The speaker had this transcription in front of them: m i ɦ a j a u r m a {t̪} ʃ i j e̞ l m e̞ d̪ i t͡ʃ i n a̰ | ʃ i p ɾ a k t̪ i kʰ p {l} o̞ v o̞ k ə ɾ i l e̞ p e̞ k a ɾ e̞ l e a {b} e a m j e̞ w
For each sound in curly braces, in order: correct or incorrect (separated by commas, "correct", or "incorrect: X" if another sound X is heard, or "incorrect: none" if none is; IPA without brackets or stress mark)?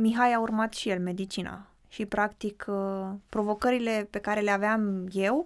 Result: correct, incorrect: ɾ, incorrect: v